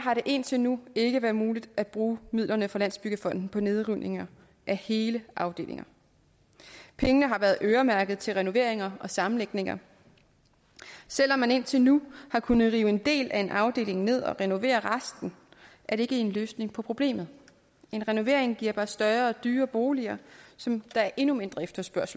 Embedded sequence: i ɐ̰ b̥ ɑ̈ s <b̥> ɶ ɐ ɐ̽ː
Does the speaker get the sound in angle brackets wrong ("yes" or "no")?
yes